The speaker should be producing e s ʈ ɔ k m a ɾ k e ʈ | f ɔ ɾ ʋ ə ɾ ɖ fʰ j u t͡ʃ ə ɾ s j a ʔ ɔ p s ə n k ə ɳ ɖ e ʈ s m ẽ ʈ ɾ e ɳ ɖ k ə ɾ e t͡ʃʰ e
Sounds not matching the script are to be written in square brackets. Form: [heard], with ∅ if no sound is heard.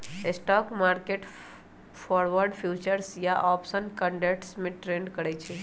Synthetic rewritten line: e s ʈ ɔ k m a ɾ k e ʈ | f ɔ ɾ ʋ ə ɾ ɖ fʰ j u t͡ʃ ə ɾ s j a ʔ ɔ p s ə n k ə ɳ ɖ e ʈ s m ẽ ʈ ɾ e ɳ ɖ k ə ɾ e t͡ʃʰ e